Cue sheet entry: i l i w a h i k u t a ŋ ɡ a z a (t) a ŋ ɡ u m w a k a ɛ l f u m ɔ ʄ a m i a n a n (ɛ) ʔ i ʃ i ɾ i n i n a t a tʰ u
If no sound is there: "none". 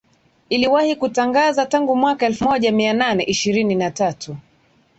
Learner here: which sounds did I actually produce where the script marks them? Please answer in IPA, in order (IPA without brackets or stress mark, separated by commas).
t, ɛ